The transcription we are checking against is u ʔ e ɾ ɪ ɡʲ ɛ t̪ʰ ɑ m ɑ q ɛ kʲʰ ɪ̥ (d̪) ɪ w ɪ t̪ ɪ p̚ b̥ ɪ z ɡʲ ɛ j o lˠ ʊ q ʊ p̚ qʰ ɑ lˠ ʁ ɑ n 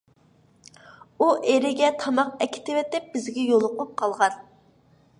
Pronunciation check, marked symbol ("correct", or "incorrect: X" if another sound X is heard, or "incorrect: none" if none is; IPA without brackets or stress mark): incorrect: t̪